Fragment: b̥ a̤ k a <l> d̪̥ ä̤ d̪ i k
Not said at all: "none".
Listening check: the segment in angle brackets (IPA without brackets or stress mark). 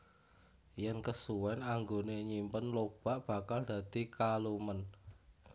l